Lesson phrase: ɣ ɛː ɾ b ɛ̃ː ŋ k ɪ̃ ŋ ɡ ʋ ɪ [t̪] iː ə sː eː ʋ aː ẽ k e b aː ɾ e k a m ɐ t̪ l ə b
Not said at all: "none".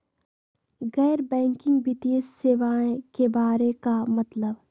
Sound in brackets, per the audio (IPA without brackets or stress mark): t̪